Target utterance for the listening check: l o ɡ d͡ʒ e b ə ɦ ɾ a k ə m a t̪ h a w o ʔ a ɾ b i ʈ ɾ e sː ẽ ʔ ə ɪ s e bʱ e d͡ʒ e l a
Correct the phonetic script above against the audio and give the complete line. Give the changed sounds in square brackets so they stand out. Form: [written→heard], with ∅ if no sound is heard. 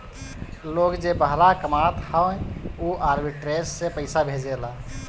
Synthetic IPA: l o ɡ d͡ʒ e b ə ɦ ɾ a k ə m a t̪ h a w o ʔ a ɾ b i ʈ ɾ e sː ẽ [ʔ→p] ə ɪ s [e→a] bʱ e d͡ʒ e l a